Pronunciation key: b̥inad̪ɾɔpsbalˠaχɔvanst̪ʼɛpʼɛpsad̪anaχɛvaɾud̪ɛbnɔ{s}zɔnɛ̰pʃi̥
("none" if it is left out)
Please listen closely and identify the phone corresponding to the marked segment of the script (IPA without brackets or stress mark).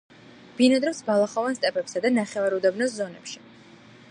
s